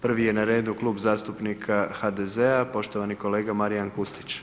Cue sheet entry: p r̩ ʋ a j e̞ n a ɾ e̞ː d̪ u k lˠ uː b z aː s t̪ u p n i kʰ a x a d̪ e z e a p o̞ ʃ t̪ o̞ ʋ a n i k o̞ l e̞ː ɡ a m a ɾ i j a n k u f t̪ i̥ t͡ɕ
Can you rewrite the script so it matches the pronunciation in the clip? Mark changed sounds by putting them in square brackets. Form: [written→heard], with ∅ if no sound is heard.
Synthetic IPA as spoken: p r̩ ʋ [a→i] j e̞ n a ɾ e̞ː d̪ u k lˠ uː b z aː s t̪ u p n i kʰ a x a d̪ e z e a p o̞ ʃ t̪ o̞ ʋ a n i k o̞ l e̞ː ɡ a m a ɾ i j a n k u [f→s] t̪ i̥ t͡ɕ